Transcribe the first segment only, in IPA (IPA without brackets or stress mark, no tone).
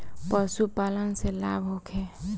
p